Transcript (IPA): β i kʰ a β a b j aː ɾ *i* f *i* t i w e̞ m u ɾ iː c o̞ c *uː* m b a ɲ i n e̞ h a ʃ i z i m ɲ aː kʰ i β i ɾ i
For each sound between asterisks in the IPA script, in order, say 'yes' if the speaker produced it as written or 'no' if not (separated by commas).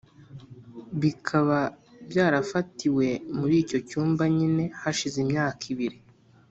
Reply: no, no, yes